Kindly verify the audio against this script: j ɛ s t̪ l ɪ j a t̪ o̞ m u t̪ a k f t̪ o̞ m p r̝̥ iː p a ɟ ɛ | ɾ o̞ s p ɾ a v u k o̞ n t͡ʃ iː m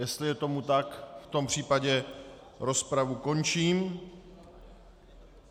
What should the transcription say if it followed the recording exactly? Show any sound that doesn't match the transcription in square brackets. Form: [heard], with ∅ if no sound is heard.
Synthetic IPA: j ɛ s t̪ l ɪ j [ɛ] t̪ o̞ m u t̪ a k f t̪ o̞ m p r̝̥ iː p a ɟ ɛ | ɾ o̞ s p ɾ a v u k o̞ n t͡ʃ iː m

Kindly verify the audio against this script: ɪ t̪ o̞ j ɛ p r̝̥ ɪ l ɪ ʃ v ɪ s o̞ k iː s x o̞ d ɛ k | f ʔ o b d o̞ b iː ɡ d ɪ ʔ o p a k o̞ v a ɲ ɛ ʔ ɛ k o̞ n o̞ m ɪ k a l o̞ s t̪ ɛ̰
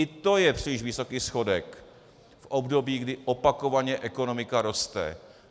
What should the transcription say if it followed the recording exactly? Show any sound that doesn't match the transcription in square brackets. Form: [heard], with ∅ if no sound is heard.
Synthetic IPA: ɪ t̪ o̞ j ɛ p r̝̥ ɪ l ɪ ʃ v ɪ s o̞ k iː s x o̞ d ɛ k | f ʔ o b d o̞ b iː ɡ d ɪ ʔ o p a k o̞ v a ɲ ɛ ʔ ɛ k o̞ n o̞ m ɪ k a [ɾ] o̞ s t̪ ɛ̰

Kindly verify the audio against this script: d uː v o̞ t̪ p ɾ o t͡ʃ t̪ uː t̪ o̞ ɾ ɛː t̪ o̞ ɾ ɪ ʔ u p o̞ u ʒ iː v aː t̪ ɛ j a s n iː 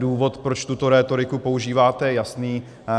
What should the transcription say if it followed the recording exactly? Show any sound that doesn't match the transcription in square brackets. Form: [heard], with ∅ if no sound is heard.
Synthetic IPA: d uː v o̞ t̪ p ɾ o t͡ʃ t̪ [u] t̪ o̞ ɾ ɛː t̪ o̞ ɾ ɪ [k] u p o̞ u ʒ iː v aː t̪ ɛ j a s n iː

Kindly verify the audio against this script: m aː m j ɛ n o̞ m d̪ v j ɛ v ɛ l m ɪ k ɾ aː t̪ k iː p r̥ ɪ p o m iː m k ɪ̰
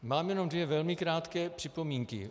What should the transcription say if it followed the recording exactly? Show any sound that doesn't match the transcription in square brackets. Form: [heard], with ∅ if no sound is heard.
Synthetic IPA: m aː m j ɛ n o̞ m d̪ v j ɛ v ɛ l m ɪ k ɾ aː t̪ k [ɛː] p r̥ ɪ p o m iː [ŋ] k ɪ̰

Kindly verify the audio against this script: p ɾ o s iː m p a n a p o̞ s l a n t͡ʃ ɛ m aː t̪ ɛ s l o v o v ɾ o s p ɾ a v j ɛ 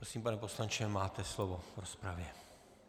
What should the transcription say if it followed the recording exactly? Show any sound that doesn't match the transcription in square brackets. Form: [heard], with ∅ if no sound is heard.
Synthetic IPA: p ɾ o s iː m p a n [ɛ] p o̞ s l a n t͡ʃ ɛ m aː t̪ ɛ s l o v o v ɾ o s p ɾ a v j ɛ

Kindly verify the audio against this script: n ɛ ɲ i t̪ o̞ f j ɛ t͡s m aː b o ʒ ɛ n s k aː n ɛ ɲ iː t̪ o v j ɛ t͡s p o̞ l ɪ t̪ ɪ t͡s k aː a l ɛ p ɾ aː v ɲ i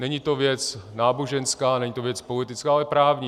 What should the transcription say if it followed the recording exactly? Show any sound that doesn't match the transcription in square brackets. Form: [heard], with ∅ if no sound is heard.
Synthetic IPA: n ɛ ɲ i t̪ o̞ [v] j ɛ t͡s [n] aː b o ʒ ɛ n s k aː n ɛ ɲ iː t̪ o v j ɛ t͡s p o̞ l ɪ t̪ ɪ t͡s k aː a l ɛ p ɾ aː v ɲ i

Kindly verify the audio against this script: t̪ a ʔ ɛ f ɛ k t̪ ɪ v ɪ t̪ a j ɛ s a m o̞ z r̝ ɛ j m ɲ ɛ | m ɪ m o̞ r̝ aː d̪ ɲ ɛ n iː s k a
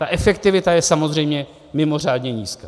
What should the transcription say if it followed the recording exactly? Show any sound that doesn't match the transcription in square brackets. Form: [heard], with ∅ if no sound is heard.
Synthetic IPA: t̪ a ʔ ɛ f ɛ k t̪ ɪ v ɪ t̪ a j ɛ s a m o̞ z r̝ ɛ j m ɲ ɛ | m ɪ m o̞ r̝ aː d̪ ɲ ɛ [ɲ] iː s k a

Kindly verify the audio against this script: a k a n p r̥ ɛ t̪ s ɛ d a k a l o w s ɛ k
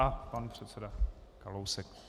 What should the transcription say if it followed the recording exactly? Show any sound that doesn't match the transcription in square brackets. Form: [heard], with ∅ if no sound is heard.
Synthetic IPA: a [p] a n p r̥ ɛ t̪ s ɛ d a k a l o w s ɛ k

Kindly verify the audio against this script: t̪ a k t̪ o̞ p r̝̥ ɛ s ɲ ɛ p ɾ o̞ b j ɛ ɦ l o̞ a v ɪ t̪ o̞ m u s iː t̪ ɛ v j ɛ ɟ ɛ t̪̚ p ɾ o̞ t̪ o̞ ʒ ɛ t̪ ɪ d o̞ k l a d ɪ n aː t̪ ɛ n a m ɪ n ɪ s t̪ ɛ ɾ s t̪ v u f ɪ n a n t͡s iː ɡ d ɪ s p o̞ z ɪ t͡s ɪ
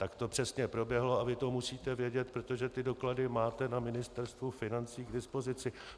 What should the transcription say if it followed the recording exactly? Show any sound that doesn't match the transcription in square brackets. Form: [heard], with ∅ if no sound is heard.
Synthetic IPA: t̪ a k t̪ o̞ p r̝̥ ɛ s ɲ ɛ p ɾ o̞ b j ɛ ɦ l o̞ a v ɪ t̪ o̞ m u s iː t̪ ɛ v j ɛ ɟ ɛ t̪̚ p ɾ o̞ t̪ o̞ ʒ ɛ t̪ ɪ d o̞ k l a d ɪ [m] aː t̪ ɛ n a m ɪ n ɪ s t̪ ɛ ɾ s t̪ v u f ɪ n a n t͡s iː ɡ d ɪ s p o̞ z ɪ t͡s ɪ

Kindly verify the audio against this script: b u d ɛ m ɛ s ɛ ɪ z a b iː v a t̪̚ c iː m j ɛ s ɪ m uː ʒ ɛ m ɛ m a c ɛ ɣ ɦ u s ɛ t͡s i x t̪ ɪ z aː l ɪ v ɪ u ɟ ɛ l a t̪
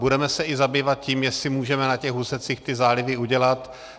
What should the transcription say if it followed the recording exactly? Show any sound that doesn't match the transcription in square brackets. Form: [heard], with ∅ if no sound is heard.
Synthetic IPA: b u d ɛ m ɛ s ɛ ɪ z a b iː v a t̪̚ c iː m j ɛ s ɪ m uː ʒ ɛ m ɛ [n] a c ɛ ɣ ɦ u s ɛ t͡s i x t̪ ɪ z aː l ɪ v ɪ u ɟ ɛ l a t̪

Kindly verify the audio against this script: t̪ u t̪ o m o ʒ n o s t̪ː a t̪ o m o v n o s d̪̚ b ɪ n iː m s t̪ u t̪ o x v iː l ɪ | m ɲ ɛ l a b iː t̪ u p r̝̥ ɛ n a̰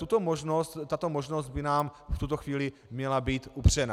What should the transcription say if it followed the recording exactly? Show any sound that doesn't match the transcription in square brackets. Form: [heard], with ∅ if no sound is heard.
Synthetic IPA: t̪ u t̪ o m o ʒ n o s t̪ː a t̪ o m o [ʒ] n o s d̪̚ b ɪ n [aː] m [f] t̪ u t̪ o x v iː l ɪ | m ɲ ɛ l a b iː t̪ u p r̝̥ ɛ n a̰

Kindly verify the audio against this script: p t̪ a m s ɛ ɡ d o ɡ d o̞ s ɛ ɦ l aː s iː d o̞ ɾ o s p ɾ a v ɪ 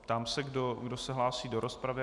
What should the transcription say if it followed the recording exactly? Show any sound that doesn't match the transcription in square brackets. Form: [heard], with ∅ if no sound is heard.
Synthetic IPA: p t̪ a m s ɛ ɡ d o ɡ d o̞ s ɛ ɦ l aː s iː d o̞ ɾ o s p ɾ a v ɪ

